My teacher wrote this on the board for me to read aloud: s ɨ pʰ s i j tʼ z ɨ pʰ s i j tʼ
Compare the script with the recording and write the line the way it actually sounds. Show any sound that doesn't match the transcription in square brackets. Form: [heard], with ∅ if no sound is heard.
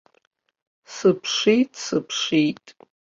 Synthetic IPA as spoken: s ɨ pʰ [ʂ] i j tʼ [s] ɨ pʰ [ʂ] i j tʼ